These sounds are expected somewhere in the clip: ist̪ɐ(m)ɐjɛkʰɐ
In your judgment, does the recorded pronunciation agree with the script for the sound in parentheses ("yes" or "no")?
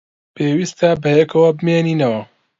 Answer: no